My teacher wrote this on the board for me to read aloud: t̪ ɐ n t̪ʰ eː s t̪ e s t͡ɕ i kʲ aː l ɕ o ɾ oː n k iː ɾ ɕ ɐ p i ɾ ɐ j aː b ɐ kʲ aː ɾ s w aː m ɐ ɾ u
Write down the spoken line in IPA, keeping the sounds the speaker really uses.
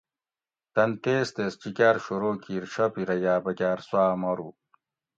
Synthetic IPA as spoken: t̪ ɐ n t̪ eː s t̪ e s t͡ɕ i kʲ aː ɾ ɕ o ɾ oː k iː ɾ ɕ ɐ p i ɾ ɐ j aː b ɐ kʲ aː ɾ s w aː m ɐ ɾ u